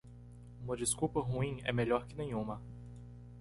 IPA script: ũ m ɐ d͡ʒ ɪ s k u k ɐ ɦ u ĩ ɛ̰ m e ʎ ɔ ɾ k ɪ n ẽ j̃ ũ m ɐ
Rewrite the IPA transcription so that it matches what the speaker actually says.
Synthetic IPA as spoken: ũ m ɐ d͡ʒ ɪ s k u p ɐ ɦ u ĩ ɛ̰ m e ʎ ɔ ɾ k ɪ n ẽ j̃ ũ m ɐ